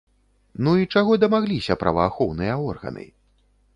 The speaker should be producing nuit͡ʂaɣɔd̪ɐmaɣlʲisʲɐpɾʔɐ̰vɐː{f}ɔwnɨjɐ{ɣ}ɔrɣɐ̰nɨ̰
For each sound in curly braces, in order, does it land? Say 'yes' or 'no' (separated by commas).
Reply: no, no